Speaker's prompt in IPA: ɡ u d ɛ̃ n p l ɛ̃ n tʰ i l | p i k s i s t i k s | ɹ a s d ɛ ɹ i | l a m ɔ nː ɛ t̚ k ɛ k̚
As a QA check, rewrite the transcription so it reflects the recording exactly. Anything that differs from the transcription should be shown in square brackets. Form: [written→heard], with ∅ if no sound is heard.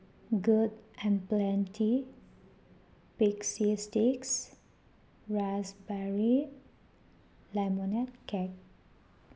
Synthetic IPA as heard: ɡ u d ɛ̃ n p l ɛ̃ n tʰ i [l→∅] | p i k s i s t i k s | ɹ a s [d→b] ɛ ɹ i | l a m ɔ [nː→n] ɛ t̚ k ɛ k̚